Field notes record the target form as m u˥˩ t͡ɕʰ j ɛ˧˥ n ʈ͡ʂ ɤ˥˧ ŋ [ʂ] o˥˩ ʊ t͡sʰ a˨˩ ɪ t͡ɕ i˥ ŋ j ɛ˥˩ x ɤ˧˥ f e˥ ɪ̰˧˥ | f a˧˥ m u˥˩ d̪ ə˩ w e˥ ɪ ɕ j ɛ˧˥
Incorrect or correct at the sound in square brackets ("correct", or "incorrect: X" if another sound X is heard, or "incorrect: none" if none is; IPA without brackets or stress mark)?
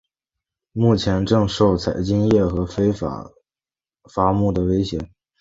correct